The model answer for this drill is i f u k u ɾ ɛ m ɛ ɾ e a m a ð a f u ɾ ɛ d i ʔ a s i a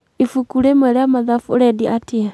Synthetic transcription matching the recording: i f u k u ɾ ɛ m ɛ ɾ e a m a ð a f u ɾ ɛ d i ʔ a t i a